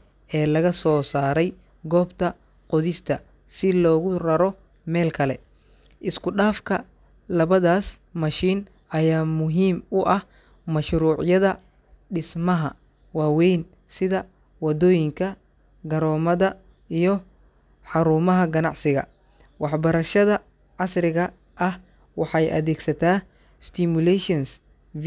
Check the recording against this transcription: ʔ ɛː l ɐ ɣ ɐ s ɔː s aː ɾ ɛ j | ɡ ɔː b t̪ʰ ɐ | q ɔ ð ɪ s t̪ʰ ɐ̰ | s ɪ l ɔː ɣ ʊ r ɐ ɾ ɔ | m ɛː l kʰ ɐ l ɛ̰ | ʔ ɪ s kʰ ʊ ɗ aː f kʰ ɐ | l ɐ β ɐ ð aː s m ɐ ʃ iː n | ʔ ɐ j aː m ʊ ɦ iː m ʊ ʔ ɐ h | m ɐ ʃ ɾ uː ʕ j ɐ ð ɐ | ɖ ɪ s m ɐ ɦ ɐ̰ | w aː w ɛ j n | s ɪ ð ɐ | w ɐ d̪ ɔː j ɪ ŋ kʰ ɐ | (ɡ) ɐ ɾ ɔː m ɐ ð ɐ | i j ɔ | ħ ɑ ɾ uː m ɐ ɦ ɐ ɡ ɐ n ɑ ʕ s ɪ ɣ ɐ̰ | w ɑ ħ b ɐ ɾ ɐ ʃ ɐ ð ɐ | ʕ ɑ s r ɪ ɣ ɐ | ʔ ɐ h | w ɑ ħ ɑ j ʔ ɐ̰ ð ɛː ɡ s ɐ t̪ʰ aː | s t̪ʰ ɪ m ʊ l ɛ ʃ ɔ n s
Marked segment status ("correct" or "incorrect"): correct